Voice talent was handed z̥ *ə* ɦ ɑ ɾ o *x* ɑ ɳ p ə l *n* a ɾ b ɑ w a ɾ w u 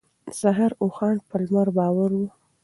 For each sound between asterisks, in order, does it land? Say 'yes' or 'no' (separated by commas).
no, yes, no